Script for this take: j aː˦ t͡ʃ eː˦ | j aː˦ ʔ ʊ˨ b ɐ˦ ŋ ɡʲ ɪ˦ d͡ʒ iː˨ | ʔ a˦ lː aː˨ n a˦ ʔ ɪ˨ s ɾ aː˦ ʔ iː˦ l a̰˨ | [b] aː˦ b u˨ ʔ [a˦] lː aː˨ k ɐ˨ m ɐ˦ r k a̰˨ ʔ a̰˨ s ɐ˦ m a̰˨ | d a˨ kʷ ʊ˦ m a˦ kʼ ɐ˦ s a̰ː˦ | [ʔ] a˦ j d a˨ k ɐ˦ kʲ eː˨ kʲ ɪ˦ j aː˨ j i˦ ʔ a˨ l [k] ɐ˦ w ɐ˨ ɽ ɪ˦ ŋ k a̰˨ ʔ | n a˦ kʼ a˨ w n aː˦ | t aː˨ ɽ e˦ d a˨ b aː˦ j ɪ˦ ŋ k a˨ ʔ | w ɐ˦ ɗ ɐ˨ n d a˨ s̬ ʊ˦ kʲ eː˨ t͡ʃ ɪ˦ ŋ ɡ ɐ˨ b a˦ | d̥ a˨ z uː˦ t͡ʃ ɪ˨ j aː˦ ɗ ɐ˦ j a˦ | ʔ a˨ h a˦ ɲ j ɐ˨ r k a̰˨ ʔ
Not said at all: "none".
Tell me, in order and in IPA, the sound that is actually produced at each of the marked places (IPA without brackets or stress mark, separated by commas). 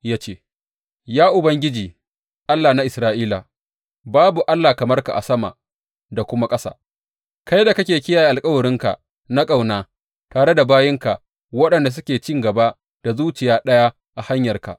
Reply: b, a˦, k, kʼ